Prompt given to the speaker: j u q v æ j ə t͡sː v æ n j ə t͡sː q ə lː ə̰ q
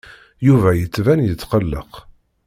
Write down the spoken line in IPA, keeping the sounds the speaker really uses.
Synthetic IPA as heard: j u v æ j ə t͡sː v æ n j ə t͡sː q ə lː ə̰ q